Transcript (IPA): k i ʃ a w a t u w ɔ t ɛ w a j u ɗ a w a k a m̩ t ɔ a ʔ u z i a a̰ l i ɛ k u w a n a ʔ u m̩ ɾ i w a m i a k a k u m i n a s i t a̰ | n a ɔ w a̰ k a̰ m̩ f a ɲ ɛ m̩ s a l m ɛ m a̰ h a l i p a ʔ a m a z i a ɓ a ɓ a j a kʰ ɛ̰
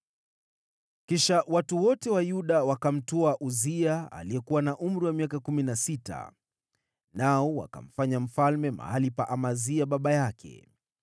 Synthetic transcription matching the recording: k i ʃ a w a t u w ɔ t ɛ w a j u ɗ a w a k a m̩ t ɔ a ʔ u z i a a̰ l i ɛ k u w a n a ʔ u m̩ ɾ i w a m i a k a k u m i n a s i t a̰ | n a ɔ w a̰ k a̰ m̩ f a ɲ a m̩ f a l m ɛ m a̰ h a l i p a ʔ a m a z i a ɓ a ɓ a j a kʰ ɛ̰

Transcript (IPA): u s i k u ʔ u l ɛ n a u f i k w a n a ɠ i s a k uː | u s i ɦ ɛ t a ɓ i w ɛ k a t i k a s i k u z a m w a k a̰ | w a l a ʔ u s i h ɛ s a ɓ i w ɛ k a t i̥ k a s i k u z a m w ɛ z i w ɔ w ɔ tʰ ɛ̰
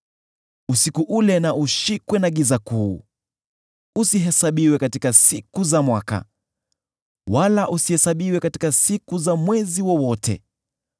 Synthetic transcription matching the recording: u s i k u ʔ u l ɛ n a u ʃ i k w ɛ n a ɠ i z a k uː | u s i ɦ ɛ s a ɓ i w ɛ k a t i k a s i k u z a m w a k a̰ | w a l a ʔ u s i h ɛ s a ɓ i w ɛ k a t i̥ k a s i k u z a m w ɛ z i w ɔ w ɔ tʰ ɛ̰

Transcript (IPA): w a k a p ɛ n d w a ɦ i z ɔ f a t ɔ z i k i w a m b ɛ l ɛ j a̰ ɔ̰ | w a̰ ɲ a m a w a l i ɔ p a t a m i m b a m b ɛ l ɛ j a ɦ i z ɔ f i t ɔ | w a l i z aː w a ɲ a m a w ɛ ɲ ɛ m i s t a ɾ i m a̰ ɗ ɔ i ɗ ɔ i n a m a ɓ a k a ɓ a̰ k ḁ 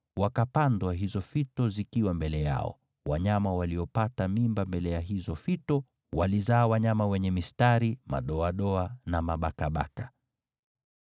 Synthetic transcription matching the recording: w a k a p a n d w a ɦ i z ɔ f i t ɔ z i k i w a m b ɛ l ɛ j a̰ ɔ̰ | w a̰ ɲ a m a w a l i ɔ p a t a m i m b a m b ɛ l ɛ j a ɦ i z ɔ f i t ɔ | w a l i z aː w a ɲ a m a w ɛ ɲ ɛ m i s t a ɾ i m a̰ ɗ ɔ a ɗ ɔ a n a m a ɓ a k a ɓ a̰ k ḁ

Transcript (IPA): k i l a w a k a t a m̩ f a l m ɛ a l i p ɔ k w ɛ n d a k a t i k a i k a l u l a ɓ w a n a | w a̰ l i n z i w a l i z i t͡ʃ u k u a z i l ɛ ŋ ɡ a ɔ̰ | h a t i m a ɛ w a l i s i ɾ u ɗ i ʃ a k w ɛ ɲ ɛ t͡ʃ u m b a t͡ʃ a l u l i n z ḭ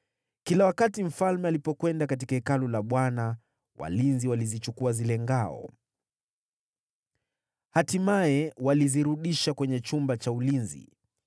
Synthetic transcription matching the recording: k i l a w a k a t i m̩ f a l m ɛ a l i p ɔ k w ɛ n d a k a t i k a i k a l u l a ɓ w a n a | w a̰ l i n z i w a l i z i t͡ʃ u k u a z i l ɛ ŋ ɡ a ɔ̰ | h a t i m a ɛ w a l i z i ɾ u ɗ i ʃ a k w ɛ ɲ ɛ t͡ʃ u m b a t͡ʃ a u l i n z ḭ

